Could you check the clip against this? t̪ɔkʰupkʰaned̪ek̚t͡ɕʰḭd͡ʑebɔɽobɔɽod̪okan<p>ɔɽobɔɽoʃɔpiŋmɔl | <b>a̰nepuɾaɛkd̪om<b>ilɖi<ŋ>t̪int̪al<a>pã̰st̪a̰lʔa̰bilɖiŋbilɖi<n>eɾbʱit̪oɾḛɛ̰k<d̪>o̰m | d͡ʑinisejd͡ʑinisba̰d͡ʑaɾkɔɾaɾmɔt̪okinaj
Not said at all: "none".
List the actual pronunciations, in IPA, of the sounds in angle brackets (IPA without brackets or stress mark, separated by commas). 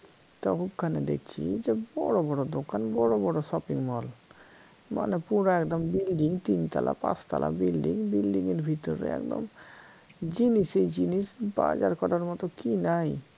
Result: b, m, b, ŋ, a, ŋ, d̪